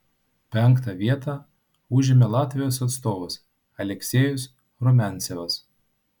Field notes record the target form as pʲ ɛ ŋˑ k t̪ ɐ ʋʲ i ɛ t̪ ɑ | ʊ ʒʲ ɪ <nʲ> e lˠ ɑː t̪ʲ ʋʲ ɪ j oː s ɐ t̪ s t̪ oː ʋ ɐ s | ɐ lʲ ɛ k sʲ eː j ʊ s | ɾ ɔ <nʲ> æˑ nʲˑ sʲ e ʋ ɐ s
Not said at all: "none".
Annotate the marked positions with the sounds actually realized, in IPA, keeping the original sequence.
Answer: mʲ, mʲ

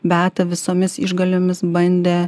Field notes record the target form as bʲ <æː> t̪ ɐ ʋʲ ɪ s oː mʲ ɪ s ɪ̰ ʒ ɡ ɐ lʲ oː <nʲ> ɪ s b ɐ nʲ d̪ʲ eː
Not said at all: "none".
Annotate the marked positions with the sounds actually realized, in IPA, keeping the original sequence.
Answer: æː, mʲ

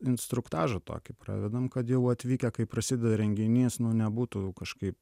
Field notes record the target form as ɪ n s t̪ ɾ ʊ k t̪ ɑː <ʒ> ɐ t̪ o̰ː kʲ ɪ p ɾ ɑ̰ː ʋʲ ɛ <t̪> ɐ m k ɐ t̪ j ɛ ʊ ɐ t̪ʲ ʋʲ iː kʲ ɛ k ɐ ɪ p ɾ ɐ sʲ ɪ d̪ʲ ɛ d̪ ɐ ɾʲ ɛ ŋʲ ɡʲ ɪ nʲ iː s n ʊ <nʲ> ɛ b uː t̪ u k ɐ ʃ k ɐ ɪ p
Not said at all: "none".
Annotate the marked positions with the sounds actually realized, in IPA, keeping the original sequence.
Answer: ʒ, d̪, nʲ

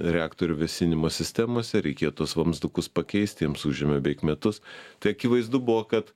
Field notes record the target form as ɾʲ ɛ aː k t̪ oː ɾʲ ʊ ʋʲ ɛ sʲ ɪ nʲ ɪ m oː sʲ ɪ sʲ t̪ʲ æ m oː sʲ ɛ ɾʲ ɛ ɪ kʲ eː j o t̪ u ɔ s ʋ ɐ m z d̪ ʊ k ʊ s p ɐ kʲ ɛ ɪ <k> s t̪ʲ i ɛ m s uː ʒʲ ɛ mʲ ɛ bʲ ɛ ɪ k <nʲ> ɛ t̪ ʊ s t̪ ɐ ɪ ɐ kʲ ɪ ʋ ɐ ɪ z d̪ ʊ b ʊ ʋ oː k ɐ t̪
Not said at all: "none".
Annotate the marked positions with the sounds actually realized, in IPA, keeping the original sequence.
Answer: none, mʲ

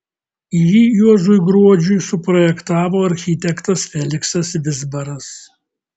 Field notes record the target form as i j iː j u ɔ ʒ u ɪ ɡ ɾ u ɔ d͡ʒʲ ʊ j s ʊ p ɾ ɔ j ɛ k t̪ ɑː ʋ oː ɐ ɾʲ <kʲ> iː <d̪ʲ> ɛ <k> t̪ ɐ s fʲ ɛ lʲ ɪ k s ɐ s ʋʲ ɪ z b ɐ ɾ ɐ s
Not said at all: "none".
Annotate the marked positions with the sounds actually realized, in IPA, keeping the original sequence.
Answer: xʲ, t̪ʲ, k

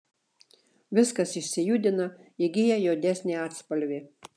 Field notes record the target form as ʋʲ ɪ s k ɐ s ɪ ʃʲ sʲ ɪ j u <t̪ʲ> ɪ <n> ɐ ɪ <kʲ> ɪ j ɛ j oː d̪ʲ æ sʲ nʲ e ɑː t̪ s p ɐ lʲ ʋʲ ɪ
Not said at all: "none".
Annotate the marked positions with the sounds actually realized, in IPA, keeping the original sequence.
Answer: d̪ʲ, n, ɡʲ

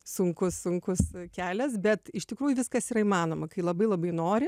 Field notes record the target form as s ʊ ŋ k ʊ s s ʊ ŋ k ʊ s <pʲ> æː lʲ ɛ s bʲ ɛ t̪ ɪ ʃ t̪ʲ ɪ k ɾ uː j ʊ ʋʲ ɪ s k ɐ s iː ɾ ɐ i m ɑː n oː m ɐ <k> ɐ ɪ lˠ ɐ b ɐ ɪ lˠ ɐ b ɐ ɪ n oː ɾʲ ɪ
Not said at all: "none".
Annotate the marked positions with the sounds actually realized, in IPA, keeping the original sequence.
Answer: kʲ, k

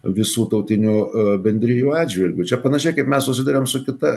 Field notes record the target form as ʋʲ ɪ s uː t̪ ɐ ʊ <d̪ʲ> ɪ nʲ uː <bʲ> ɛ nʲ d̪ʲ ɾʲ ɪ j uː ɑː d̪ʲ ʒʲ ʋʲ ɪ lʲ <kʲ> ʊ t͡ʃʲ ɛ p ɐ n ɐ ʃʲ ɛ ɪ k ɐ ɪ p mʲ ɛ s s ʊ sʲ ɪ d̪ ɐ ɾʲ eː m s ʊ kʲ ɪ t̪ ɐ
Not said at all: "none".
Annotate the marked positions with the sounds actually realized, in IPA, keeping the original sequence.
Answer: t̪ʲ, bʲ, ɡʲ

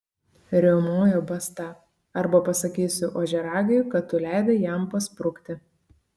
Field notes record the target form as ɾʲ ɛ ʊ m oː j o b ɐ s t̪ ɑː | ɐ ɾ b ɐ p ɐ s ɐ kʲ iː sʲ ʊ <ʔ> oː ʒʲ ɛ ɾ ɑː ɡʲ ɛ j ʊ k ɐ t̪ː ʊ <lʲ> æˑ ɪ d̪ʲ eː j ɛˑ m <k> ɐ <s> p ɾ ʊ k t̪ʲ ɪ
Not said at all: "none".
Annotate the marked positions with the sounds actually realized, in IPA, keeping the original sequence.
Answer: ʔ, lʲ, p, s

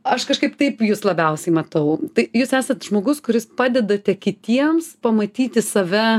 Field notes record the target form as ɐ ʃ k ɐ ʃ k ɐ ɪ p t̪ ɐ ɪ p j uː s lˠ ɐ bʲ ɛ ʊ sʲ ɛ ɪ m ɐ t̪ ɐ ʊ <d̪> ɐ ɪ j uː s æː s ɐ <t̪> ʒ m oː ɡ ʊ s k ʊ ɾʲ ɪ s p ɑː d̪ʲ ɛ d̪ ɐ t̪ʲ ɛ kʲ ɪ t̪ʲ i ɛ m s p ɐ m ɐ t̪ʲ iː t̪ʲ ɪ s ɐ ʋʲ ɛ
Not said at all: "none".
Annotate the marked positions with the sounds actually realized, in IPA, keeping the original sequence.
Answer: t̪, t̪

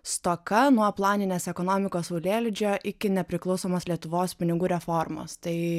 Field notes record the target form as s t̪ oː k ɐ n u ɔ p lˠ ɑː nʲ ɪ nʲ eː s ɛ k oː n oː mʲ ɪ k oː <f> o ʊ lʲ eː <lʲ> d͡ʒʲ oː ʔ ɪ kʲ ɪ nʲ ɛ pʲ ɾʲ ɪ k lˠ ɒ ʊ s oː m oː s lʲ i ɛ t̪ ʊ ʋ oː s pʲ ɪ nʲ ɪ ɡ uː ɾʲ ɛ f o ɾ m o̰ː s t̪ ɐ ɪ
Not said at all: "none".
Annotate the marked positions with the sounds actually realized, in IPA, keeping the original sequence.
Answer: s, lʲ

